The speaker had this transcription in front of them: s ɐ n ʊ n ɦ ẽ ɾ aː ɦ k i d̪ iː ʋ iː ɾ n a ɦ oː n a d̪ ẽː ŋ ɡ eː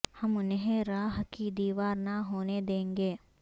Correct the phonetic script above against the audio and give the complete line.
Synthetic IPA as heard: h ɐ m ʊ n ɦ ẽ ɾ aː ɦ k i d̪ iː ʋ aː ɾ n a ɦ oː n e d̪ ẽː ŋ ɡ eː